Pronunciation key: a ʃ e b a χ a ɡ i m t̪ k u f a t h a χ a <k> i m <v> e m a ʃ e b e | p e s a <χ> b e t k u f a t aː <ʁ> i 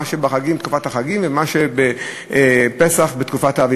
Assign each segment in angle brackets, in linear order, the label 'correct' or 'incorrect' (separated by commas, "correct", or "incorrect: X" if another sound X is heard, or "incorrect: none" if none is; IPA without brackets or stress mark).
incorrect: ɡ, correct, correct, incorrect: v